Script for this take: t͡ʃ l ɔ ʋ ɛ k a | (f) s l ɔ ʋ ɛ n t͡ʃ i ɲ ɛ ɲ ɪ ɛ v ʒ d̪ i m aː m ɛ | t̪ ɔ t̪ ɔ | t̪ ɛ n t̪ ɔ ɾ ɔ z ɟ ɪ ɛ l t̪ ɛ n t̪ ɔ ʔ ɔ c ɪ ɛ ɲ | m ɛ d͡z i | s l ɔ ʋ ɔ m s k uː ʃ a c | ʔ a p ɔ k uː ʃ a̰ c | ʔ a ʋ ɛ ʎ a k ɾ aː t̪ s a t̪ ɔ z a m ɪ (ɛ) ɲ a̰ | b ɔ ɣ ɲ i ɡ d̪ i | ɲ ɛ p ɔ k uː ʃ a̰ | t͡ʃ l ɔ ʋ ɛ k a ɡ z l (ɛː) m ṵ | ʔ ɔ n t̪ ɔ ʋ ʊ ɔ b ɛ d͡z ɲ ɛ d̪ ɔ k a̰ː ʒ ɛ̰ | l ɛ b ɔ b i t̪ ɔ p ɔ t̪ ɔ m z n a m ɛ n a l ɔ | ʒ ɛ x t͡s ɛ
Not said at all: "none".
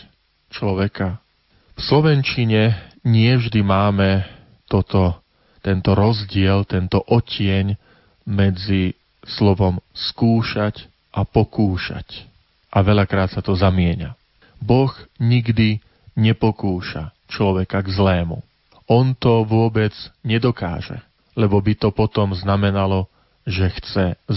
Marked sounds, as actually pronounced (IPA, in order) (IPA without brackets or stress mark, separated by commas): f, ɛ, ɛː